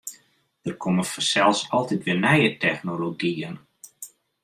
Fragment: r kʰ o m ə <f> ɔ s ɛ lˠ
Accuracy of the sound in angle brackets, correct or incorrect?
correct